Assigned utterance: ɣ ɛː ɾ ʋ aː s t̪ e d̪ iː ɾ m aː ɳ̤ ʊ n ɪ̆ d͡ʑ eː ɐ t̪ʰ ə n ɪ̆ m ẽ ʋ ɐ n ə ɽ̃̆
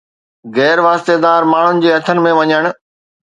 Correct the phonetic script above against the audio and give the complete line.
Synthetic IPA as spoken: ɣ ɛː ɾ ʋ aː s t̪ e d̪ aː ɾ m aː ɳ̤ ʊ n ɪ̆ d͡ʑ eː ɐ t̪ʰ ə n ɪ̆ m ẽ ʋ ɐ ɲ ə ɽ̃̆